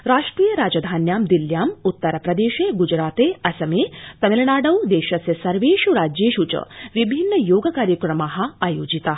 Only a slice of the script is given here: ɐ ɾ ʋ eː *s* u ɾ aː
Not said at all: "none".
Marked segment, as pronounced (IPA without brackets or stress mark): ʃ